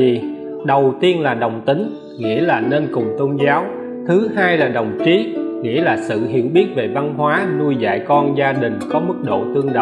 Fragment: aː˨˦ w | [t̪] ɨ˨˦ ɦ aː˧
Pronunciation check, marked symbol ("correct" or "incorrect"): incorrect